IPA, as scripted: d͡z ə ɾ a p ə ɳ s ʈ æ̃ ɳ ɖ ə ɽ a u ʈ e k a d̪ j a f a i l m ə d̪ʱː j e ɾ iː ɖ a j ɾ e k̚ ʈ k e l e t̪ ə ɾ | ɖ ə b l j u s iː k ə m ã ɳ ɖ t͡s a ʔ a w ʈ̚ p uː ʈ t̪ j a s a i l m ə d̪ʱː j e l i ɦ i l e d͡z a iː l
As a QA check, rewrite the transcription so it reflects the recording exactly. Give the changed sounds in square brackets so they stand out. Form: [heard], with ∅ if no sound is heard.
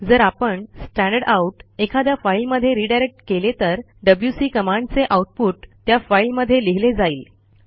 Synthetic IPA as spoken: d͡z ə ɾ a p ə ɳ s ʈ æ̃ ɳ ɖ ə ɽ a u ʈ e [kʰ] a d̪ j a f a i l m ə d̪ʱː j e ɾ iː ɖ a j ɾ e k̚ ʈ k e l e t̪ ə ɾ | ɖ ə b l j u s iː k ə m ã ɳ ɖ t͡s [e] ʔ a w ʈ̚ p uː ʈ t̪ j a [f] a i l m ə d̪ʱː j e l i ɦ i l e d͡z a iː l